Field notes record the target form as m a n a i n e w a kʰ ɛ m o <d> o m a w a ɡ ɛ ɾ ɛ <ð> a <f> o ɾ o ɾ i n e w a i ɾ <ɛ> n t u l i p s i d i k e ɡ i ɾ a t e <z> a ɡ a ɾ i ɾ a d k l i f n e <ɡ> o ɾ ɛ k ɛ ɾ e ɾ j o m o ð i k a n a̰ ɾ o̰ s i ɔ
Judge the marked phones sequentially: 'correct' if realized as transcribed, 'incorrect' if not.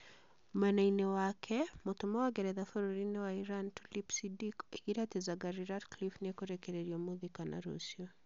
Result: incorrect, correct, correct, incorrect, correct, incorrect

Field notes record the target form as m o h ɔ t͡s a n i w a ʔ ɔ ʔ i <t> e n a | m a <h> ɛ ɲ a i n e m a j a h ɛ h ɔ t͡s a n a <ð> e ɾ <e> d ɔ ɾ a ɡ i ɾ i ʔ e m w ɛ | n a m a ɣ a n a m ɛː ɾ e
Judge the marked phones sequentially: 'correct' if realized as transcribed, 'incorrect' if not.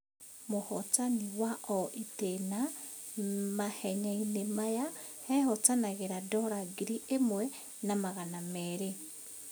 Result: correct, correct, incorrect, incorrect

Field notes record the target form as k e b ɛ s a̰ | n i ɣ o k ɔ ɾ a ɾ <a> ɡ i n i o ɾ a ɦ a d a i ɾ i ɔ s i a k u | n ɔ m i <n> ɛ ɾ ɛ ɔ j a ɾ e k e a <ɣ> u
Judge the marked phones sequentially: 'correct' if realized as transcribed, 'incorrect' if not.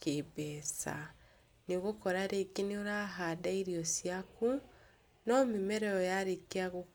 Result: incorrect, incorrect, correct

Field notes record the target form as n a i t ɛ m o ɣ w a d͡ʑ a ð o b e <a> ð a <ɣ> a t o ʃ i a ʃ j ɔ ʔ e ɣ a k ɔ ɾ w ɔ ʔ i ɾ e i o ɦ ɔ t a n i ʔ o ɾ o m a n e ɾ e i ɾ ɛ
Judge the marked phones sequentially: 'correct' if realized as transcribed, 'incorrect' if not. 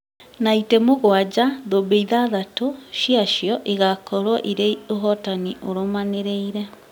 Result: incorrect, incorrect

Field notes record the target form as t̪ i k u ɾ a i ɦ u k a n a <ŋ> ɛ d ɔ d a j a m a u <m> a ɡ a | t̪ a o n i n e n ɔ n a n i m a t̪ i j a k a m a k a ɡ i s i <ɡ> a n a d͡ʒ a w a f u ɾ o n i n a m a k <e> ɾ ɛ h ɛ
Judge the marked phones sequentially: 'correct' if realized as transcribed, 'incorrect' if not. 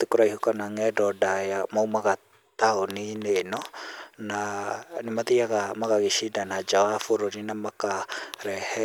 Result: correct, correct, incorrect, incorrect

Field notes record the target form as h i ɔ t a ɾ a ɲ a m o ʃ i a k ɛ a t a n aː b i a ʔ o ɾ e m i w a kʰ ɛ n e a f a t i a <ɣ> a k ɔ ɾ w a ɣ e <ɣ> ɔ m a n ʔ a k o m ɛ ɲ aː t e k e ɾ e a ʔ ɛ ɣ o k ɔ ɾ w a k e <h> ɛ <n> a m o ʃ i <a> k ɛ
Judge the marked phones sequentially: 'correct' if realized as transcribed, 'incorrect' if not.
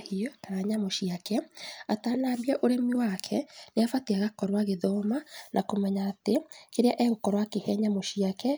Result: correct, incorrect, correct, incorrect, correct

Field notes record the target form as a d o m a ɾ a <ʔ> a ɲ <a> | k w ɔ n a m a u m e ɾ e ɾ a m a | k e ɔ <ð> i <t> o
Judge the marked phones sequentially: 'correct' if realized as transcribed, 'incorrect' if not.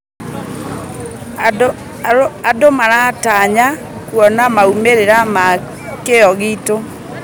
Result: incorrect, correct, incorrect, correct

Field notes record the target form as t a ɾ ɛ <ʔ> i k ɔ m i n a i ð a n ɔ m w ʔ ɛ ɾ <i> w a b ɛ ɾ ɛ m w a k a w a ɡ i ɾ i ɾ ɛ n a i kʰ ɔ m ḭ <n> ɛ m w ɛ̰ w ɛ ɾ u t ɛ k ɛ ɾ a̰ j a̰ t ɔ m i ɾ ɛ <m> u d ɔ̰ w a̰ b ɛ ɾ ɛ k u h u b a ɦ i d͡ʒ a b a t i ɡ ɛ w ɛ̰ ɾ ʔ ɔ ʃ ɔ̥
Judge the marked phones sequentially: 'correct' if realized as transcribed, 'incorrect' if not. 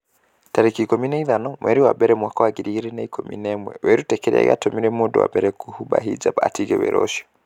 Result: incorrect, correct, correct, correct

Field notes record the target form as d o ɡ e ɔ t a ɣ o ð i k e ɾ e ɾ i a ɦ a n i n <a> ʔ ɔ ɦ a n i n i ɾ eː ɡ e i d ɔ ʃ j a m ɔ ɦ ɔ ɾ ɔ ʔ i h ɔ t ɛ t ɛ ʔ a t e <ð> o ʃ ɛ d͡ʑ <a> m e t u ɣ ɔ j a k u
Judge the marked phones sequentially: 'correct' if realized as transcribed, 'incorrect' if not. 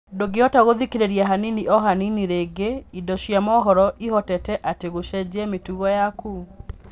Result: incorrect, incorrect, incorrect

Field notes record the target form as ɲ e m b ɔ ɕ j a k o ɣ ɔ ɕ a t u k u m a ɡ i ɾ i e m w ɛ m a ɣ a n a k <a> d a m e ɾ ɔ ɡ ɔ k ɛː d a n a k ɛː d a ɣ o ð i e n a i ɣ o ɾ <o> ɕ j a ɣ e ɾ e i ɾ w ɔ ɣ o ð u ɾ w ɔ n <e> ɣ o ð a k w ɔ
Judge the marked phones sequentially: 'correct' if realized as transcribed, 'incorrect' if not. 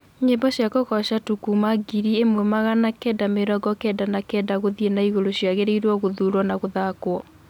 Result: incorrect, correct, incorrect

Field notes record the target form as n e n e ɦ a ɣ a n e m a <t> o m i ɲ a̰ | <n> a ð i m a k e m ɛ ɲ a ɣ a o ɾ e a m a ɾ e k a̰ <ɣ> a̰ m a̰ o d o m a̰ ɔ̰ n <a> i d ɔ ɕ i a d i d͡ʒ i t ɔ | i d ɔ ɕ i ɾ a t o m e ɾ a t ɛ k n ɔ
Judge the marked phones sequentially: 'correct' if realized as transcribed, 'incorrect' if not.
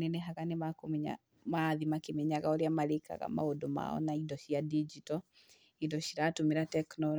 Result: incorrect, incorrect, correct, correct

